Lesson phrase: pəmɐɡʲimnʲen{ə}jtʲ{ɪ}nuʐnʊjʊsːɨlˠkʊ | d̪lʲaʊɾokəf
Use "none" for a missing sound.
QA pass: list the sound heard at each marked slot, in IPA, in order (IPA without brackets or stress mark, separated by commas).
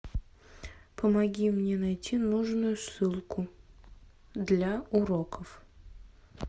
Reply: ɐ, i